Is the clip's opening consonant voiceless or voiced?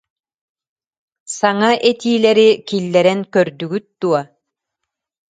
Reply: voiceless